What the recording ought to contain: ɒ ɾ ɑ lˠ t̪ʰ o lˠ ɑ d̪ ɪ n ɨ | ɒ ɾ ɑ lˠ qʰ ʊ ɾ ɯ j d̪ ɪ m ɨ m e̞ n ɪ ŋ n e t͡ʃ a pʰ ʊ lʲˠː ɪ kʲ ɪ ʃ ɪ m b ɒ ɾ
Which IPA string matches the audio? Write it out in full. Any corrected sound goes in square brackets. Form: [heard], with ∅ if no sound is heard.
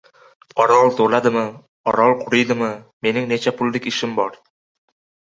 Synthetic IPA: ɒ ɾ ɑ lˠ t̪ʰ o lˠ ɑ d̪ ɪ [m] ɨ | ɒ ɾ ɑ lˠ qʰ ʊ ɾ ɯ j d̪ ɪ m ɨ m e̞ n ɪ ŋ n e t͡ʃ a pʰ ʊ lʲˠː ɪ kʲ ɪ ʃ ɪ m b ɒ ɾ